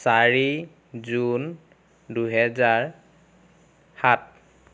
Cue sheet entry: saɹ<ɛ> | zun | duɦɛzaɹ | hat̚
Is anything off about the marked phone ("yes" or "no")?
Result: yes